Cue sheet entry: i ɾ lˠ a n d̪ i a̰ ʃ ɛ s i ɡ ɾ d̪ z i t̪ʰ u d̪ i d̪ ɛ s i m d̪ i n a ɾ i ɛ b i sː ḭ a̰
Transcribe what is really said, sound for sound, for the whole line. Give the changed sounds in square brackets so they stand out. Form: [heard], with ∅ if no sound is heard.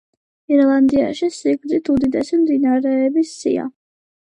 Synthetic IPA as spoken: i ɾ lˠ a n d̪ i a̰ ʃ [i] s i ɡ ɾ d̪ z i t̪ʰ u d̪ i d̪ ɛ s i m d̪ i n a ɾ [ɛ] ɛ b i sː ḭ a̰